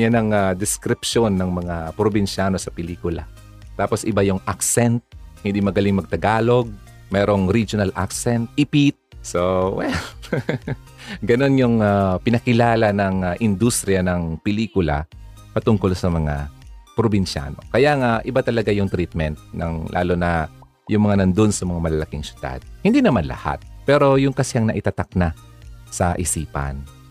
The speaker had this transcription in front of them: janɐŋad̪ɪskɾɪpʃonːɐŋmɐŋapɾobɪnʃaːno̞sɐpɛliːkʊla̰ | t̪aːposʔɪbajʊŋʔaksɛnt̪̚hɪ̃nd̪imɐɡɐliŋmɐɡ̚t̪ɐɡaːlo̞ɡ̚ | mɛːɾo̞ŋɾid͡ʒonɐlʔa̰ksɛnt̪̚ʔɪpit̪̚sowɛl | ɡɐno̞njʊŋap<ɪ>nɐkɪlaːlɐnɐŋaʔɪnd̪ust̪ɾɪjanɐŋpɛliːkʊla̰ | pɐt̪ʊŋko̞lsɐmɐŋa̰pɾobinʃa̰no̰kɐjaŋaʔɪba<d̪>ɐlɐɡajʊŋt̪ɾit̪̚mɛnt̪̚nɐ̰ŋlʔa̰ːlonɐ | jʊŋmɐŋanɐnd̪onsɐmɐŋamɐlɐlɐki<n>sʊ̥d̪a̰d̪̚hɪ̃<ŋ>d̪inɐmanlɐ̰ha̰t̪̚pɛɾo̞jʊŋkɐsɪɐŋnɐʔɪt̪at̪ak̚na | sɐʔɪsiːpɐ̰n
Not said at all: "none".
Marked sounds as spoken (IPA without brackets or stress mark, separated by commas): ɪ, t̪, ŋ, n